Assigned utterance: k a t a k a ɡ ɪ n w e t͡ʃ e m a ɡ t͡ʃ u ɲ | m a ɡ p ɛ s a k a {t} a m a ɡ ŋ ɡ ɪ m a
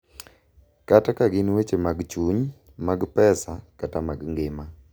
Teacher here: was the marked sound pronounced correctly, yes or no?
yes